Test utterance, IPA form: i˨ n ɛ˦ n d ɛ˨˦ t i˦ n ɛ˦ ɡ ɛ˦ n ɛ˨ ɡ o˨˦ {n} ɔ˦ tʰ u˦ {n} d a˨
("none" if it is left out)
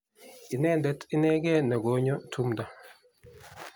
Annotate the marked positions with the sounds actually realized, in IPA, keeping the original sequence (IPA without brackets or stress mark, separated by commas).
ɲ, m